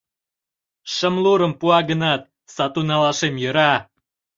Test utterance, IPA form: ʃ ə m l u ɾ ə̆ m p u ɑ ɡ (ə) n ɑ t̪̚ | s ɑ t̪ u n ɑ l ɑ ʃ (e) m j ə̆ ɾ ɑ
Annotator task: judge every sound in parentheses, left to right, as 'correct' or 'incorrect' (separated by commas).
correct, correct